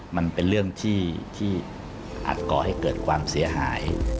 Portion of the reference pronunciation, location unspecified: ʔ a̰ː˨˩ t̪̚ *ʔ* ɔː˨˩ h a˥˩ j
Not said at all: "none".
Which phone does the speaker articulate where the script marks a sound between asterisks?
k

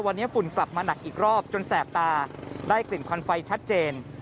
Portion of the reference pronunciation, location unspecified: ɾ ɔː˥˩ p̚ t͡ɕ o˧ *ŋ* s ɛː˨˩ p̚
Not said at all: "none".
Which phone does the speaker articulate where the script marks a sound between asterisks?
n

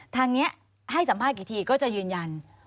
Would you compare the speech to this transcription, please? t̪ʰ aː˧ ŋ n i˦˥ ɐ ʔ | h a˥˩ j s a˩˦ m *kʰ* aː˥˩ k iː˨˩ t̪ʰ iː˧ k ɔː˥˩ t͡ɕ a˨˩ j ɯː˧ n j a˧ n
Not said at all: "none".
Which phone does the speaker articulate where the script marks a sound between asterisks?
pʰ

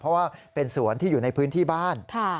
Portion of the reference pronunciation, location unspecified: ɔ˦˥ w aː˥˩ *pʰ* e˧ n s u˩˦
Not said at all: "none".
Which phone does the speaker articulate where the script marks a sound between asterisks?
p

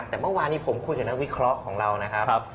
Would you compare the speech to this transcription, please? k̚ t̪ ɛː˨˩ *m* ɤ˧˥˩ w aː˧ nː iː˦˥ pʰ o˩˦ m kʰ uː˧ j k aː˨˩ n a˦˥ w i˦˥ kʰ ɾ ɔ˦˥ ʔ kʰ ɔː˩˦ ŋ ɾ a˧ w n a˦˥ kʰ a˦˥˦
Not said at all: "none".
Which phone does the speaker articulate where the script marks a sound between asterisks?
m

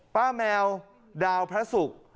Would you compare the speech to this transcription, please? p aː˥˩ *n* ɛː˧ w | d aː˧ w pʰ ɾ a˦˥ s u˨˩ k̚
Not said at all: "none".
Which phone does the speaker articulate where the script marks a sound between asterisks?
m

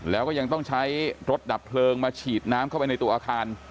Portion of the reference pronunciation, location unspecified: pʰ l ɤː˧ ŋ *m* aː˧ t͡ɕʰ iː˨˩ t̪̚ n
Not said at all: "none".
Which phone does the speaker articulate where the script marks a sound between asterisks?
m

